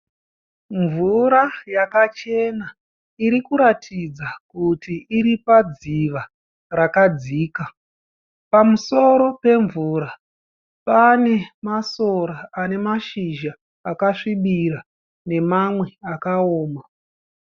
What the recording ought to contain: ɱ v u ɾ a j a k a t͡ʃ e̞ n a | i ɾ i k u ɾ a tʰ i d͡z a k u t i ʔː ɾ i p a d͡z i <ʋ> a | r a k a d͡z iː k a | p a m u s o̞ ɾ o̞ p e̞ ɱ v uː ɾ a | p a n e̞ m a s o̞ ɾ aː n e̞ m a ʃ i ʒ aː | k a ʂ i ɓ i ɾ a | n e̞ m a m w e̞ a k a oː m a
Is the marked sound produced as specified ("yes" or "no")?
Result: yes